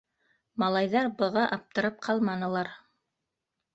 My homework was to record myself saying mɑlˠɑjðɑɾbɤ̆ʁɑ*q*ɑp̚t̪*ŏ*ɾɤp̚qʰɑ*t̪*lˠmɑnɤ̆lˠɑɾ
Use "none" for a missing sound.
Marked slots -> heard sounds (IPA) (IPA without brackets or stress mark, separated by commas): ʔ, ɤ̆, none